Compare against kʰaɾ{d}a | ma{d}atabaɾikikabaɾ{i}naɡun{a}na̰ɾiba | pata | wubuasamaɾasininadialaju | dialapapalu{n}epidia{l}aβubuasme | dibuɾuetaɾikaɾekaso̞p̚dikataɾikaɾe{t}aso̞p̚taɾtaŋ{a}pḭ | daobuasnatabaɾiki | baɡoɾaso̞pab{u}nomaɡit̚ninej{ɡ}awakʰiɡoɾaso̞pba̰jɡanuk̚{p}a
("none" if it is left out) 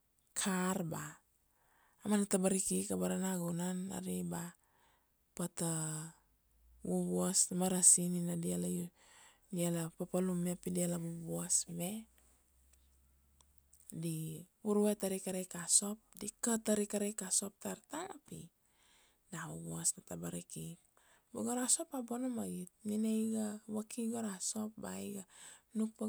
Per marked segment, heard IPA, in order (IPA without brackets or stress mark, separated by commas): b, n, a, a, m, l, k, a, o, ɡ, p